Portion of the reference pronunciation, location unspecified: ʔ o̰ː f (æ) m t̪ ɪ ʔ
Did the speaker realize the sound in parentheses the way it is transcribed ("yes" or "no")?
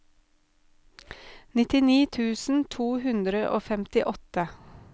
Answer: no